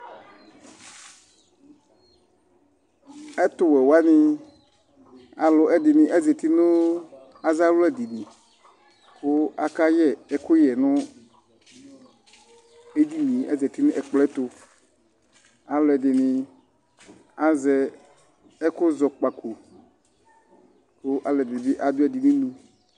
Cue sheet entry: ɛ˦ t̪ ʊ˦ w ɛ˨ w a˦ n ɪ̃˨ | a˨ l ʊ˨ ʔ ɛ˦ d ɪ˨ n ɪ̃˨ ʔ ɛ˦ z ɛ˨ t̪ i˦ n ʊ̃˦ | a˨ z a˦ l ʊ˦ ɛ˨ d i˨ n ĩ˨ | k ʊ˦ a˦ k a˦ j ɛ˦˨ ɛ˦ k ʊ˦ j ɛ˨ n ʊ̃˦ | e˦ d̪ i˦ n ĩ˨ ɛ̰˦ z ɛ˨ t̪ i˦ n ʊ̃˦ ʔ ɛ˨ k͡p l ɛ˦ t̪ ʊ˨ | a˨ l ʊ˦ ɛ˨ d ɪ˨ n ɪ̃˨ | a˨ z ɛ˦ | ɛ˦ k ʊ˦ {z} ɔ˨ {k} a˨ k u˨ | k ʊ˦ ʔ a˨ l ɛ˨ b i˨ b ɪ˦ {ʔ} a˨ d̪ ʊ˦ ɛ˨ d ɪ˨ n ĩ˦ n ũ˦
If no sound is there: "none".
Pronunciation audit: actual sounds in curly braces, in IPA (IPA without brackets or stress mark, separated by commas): z, k͡p, ʔ